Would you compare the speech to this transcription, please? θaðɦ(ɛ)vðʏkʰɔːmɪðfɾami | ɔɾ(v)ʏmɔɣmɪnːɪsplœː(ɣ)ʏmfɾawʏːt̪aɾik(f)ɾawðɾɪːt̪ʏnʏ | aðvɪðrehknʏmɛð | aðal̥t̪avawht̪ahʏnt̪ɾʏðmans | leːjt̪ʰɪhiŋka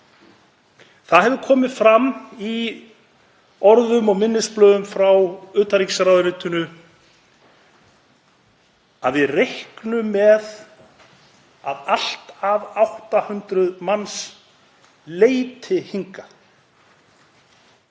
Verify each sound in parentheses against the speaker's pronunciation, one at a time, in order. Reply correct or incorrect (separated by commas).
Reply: correct, incorrect, incorrect, incorrect